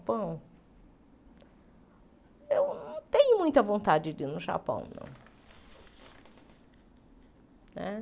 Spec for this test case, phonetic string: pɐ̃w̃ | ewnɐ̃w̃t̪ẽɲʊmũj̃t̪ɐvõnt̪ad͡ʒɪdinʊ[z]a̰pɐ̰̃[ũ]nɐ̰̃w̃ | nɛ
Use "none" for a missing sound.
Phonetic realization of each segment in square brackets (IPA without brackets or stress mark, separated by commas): ʒ, w̃